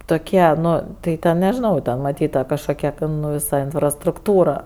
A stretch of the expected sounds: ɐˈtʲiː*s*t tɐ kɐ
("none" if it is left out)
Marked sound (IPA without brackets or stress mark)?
none